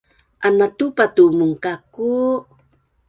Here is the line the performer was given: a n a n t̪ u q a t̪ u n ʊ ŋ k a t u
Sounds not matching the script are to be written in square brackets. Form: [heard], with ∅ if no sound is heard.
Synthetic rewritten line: a n a [∅] t̪ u [p] a t̪ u [m] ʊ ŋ k a [k] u